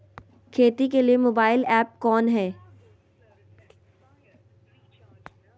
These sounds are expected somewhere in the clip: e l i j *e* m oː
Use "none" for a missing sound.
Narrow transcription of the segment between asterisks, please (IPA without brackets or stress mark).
e